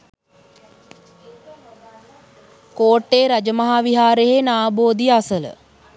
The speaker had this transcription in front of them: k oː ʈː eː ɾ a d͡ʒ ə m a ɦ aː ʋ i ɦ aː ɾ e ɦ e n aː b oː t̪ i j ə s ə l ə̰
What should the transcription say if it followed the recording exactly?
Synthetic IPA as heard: k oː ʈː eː ɾ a d͡ʒ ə m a ɦ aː ʋ i ɦ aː ɾ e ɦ e n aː b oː d̪ i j a s ə l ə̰

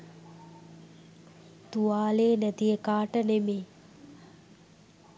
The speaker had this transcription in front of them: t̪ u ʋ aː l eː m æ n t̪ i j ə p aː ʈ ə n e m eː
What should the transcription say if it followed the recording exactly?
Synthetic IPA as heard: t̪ u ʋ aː l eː n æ t̪ i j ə k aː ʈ ə n e m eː

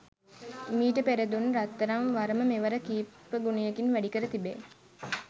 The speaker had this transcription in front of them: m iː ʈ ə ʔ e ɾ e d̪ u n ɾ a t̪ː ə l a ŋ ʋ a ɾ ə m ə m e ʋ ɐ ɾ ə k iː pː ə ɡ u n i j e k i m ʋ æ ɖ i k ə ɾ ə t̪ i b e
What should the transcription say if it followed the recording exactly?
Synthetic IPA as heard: m iː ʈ ə p e ɾ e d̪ u n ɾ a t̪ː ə ɾ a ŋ ʋ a ɾ ə m ə m e ʋ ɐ ɾ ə k iː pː ə ɡ u n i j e k i n ʋ æ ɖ i k ə ɾ ə t̪ i b e

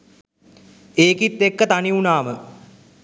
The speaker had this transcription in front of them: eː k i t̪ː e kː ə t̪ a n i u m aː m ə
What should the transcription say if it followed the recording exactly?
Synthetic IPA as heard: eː k i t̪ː e kː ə t̪ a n i u n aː m ə

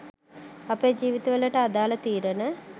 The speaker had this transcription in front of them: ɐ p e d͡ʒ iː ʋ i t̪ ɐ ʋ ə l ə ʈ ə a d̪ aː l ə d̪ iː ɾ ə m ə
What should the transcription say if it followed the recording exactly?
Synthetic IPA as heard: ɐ p e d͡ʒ iː ʋ i t̪ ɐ ʋ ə l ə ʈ ə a d̪ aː l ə t̪ iː ɾ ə n ə

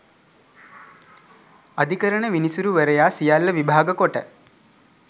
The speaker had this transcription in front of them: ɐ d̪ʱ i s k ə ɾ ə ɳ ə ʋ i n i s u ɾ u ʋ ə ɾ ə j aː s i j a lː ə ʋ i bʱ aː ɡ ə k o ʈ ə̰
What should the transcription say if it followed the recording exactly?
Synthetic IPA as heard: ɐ d̪ʱ i k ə ɾ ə ɳ ə ʋ i n i s u ɾ u ʋ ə ɾ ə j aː s i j a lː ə ʋ i bʱ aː ɡ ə k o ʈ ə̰

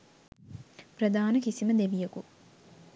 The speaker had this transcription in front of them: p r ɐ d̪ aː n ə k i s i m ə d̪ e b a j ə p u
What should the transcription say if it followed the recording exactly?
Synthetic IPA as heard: p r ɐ d̪ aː n ə k i s i m ə d̪ e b i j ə k u

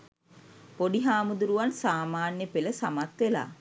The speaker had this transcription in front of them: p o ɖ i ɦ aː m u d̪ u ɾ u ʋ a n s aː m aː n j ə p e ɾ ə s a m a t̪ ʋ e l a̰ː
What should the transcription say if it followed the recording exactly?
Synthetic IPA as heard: p o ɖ i ɦ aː m u d̪ u ɾ u ʋ a n s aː m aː n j ə p e l ə s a m a t̪ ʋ e l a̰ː

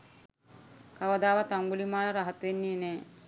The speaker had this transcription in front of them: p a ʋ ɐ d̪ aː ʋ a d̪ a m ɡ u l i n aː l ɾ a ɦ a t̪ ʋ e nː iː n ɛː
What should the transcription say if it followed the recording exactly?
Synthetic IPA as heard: k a ʋ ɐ d̪ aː ʋ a t̪ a ŋ ɡ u l i m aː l ɾ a ɦ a t̪ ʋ e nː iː n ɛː

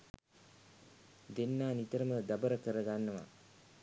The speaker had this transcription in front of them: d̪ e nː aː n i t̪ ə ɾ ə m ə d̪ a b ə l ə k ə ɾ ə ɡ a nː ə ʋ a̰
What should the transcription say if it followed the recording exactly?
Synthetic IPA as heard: d̪ e nː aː n i t̪ ə ɾ ə m ə d̪ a b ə ɾ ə k ə ɾ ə ɡ a nː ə ʋ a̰

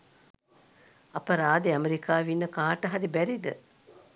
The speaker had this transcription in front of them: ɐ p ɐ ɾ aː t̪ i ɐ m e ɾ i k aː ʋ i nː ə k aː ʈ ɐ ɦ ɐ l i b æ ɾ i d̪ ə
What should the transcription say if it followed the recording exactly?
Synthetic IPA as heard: ɐ p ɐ ɾ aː d̪ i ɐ m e ɾ i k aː ʋ i nː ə k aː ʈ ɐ ɦ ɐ ɾ i b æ ɾ i d̪ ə

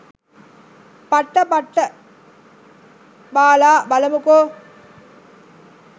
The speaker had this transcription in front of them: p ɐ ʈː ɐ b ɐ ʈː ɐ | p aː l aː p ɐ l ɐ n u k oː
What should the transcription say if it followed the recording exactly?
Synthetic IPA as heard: p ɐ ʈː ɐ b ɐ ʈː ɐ | b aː l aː b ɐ l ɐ m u k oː

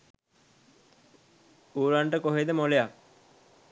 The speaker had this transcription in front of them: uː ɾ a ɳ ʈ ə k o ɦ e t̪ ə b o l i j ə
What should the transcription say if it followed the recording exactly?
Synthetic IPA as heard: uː ɾ a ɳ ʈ ə k o ɦ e d̪ ə m o l e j a

